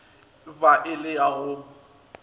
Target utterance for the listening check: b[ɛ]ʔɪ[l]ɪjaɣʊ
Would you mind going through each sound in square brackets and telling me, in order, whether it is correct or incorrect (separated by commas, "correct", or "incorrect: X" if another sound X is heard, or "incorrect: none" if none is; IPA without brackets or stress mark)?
incorrect: a, correct